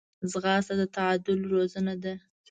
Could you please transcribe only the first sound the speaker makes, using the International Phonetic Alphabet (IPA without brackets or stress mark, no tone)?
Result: z